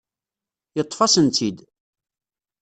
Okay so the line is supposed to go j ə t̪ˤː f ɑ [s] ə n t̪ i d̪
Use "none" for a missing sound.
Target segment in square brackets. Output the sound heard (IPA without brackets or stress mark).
s